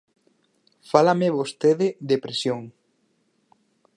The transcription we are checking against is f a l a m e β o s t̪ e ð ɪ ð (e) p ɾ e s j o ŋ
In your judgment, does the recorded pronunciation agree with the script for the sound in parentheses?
yes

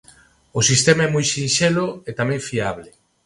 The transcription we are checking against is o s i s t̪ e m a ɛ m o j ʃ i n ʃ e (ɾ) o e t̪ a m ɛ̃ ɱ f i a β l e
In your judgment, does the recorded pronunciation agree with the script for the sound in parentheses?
no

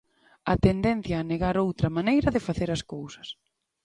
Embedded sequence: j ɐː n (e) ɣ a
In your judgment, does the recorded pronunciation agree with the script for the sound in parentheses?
yes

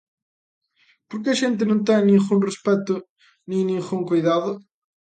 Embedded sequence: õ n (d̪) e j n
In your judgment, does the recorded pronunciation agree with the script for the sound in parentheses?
no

